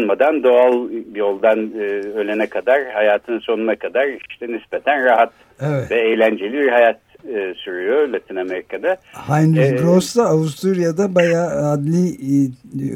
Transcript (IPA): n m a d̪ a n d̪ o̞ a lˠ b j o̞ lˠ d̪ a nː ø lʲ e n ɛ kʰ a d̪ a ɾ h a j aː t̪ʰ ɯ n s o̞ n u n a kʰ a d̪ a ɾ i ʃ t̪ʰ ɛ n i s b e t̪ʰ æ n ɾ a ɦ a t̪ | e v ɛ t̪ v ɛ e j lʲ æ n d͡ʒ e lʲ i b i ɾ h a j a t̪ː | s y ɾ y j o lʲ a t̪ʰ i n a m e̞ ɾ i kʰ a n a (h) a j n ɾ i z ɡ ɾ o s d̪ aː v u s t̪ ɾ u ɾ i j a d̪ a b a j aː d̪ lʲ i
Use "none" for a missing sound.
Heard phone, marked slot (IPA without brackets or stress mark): h